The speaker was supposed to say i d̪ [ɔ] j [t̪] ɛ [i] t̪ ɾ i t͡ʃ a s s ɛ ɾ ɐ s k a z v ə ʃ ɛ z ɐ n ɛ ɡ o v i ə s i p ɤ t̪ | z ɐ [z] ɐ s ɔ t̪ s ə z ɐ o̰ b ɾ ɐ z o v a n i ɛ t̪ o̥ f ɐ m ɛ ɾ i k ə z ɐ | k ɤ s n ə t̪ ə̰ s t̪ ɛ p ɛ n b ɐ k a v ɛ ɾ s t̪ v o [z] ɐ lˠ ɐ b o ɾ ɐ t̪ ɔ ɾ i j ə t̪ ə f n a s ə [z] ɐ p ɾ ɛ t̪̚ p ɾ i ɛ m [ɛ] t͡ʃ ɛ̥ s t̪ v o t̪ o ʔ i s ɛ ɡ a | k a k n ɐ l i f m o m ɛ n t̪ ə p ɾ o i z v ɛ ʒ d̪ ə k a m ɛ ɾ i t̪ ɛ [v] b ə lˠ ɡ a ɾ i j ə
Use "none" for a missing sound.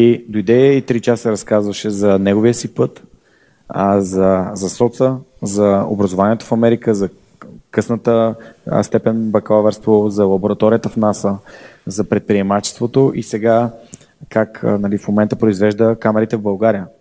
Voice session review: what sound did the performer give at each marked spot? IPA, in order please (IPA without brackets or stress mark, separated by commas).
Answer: o, d̪, i, z, z, z, a, v